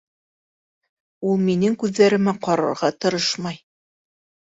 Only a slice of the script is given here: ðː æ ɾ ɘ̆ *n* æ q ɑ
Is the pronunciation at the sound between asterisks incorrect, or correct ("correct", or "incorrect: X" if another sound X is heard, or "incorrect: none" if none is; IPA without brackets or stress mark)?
incorrect: m